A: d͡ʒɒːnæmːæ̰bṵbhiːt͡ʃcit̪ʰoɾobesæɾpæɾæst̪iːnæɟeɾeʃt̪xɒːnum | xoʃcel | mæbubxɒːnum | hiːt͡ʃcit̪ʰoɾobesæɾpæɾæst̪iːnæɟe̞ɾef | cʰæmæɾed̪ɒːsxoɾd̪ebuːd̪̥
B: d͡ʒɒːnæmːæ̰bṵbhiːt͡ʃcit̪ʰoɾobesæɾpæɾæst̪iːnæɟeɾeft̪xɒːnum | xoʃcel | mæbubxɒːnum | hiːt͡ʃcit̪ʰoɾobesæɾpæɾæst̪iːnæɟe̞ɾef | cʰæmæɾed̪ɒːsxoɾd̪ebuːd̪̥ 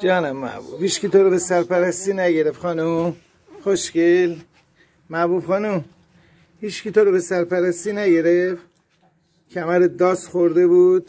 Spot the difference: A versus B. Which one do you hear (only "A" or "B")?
B